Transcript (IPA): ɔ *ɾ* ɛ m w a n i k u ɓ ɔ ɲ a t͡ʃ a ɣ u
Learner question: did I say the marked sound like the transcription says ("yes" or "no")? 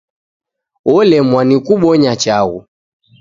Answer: no